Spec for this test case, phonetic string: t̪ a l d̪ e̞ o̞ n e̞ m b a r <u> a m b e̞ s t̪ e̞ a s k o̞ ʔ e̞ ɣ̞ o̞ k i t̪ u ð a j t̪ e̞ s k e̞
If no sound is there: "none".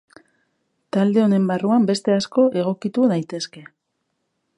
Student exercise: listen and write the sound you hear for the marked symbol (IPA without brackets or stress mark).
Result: u